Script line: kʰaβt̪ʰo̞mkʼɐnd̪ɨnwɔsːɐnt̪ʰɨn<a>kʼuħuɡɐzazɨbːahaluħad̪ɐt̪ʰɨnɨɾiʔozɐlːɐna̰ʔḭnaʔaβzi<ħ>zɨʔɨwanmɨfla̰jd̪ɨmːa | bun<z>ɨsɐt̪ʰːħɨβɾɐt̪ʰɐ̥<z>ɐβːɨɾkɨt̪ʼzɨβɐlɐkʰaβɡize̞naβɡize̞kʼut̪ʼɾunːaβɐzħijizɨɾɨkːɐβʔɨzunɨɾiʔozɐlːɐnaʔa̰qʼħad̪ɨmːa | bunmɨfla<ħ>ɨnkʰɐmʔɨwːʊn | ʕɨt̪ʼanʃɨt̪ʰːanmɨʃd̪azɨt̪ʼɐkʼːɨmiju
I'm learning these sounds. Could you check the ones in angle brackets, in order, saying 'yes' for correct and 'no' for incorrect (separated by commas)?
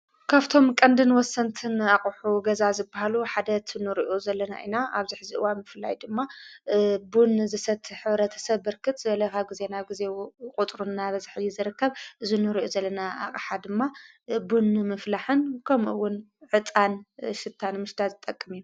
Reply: yes, yes, yes, no, yes